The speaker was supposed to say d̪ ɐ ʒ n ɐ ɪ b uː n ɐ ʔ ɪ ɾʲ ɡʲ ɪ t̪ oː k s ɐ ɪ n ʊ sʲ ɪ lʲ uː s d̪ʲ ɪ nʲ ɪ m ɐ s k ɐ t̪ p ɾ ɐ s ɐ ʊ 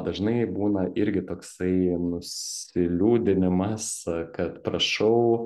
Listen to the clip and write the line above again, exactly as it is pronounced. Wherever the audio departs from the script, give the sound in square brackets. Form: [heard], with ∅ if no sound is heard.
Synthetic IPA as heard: d̪ ɐ ʒ n ɐ ɪ b uː n ɐ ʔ ɪ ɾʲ ɡʲ ɪ t̪ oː k s ɐ ɪ n ʊ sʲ ɪ lʲ uː [∅] d̪ʲ ɪ nʲ ɪ m ɐ s k ɐ t̪ p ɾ ɐ [ʃ] ɐ ʊ